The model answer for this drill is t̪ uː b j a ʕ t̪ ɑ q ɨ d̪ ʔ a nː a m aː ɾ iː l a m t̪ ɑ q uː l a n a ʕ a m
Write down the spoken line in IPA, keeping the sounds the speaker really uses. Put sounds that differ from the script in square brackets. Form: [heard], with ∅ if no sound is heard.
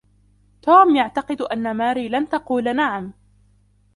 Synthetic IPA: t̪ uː [m] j a ʕ t̪ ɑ q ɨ d̪ ʔ a nː a m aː ɾ iː l a [n] t̪ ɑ q uː l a n a ʕ a m

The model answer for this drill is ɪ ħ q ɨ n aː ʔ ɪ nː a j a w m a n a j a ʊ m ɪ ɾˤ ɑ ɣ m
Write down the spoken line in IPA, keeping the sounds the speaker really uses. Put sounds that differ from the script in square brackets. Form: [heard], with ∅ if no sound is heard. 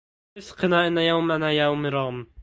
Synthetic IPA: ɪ [s] q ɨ n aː ʔ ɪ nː a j a w m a n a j a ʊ m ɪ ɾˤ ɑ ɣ m

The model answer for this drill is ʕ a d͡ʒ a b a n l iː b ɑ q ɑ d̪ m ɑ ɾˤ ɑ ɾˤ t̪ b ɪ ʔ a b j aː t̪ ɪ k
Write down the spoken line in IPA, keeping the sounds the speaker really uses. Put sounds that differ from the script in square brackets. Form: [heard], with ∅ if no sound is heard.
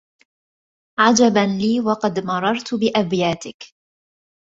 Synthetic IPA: ʕ a d͡ʒ a b a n l iː [w] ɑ q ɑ d̪ m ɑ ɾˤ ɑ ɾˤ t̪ b ɪ ʔ a b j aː t̪ ɪ k

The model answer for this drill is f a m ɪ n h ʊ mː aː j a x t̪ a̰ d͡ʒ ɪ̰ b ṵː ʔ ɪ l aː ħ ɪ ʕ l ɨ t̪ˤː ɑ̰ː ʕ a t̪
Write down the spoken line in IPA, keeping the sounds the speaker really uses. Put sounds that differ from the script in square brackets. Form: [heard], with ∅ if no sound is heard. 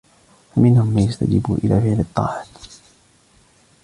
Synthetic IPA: f a m ɪ n h ʊ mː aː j a [s] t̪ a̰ d͡ʒ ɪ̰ b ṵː ʔ ɪ l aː [f] ɪ ʕ l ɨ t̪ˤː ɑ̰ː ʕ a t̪

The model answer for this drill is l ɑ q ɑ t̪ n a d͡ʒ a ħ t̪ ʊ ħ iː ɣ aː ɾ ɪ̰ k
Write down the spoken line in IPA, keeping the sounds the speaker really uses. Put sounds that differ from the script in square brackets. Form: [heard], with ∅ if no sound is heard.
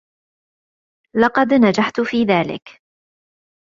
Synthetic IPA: l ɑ q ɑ [d̪] n a d͡ʒ a ħ t̪ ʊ [f] iː [ð] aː [l] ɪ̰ k

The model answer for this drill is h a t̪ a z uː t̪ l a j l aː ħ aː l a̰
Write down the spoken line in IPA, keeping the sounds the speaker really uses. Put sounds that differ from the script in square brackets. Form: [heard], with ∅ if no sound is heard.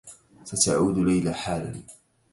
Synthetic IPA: [s] a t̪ a [ʕ] uː [d̪] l a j l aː ħ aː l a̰

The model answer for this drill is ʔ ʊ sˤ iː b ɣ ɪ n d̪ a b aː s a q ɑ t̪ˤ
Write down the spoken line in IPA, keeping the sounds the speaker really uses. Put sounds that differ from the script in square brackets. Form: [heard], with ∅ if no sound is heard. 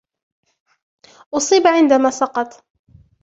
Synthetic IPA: ʔ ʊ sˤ iː b [ʕ] ɪ n d̪ a [m] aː s [ɑ] q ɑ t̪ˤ

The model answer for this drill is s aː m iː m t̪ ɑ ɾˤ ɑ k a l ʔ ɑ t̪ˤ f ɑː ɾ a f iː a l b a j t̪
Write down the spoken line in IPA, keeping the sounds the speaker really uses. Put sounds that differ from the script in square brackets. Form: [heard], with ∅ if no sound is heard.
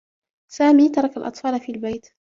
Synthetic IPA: s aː m iː [∅] t̪ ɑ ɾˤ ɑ k a l ʔ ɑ t̪ˤ f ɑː [l] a f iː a l b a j t̪

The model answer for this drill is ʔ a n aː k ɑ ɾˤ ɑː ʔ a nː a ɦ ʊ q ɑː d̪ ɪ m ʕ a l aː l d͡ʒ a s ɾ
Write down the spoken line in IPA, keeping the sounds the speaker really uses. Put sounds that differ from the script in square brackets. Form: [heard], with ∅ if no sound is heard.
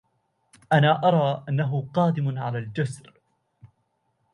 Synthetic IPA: ʔ a n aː [ʔ] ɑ ɾˤ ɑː ʔ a nː a ɦ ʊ q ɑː d̪ ɪ m ʕ a l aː l d͡ʒ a s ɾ

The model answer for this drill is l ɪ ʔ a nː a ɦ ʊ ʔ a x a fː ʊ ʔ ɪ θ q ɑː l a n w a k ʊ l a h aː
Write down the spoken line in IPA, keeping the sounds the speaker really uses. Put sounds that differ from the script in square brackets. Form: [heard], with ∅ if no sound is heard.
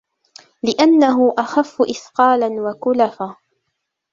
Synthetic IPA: l ɪ ʔ a nː a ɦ ʊ ʔ a x a fː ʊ ʔ ɪ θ q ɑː l a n w a k ʊ l a [f] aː

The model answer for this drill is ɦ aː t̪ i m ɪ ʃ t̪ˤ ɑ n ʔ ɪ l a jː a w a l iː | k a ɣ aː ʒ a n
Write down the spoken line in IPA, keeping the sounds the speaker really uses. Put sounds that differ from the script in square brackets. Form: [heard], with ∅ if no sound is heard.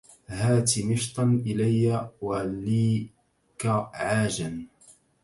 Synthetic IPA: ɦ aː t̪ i m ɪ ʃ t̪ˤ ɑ n ʔ ɪ l a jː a w a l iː | k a [ʕ] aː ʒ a n

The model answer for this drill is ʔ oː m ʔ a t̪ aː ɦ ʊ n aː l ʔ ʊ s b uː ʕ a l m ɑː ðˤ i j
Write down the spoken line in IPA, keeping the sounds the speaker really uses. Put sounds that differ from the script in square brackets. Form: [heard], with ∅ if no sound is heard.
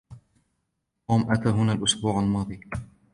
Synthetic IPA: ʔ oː m ʔ a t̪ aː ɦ ʊ n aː l ʔ ʊ s b uː ʕ a l m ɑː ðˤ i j

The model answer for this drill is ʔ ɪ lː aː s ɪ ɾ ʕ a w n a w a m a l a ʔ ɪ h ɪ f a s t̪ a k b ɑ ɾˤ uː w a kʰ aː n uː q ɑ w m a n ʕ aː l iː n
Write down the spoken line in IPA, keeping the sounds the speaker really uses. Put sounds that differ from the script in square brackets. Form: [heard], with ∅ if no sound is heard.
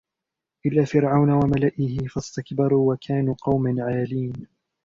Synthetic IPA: ʔ ɪ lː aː [f] ɪ ɾ ʕ a w n a w a m a l a ʔ ɪ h ɪ f a s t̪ a k b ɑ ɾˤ uː w a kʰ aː n uː q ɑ w m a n ʕ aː l iː n

